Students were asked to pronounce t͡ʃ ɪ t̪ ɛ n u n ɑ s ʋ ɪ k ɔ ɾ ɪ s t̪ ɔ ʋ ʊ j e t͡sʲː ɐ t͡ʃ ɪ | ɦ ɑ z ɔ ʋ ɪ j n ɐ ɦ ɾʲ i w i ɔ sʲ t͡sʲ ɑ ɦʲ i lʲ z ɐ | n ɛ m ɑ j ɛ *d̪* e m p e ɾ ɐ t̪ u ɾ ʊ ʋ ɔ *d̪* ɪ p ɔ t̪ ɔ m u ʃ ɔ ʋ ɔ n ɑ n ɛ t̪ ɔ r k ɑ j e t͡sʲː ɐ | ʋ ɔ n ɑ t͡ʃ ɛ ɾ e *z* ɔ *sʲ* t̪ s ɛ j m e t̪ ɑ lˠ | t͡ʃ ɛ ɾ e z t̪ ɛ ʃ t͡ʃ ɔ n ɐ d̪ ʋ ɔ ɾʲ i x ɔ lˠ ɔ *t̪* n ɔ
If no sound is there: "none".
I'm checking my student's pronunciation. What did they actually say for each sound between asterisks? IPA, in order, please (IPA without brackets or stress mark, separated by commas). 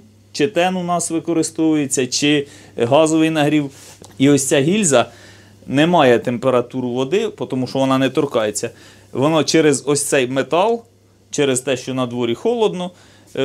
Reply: t̪, d̪, z, sʲ, d̪